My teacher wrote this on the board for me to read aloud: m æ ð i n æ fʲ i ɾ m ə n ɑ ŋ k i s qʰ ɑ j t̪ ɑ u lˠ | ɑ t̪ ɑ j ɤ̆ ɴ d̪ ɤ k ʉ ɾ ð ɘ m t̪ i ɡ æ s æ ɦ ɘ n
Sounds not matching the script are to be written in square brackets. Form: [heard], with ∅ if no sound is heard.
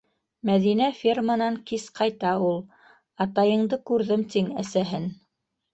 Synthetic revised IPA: m æ ð i n æ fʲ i [r] m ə n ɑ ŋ k i s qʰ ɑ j t̪ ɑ u lˠ | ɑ t̪ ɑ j ɤ̆ ɴ d̪ ɤ k ʉ ɾ ð ɘ m t̪ i [ŋ] æ s æ ɦ ɘ n